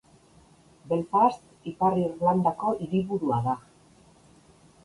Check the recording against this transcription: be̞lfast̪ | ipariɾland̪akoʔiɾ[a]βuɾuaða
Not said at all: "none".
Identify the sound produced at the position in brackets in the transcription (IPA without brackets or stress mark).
i